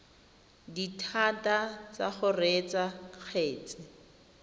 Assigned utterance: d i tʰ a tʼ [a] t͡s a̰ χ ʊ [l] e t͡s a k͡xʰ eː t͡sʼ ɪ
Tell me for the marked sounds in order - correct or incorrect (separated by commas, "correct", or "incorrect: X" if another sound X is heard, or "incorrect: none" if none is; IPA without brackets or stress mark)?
correct, incorrect: r